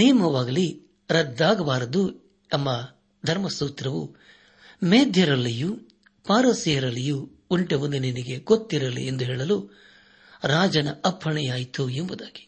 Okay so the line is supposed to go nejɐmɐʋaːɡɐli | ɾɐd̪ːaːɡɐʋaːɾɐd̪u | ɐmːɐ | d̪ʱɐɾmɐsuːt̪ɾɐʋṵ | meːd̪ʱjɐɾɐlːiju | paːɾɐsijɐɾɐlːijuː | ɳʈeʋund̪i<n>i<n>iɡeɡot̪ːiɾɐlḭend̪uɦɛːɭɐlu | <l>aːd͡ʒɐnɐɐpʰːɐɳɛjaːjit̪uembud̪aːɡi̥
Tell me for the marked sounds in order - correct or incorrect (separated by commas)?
correct, correct, incorrect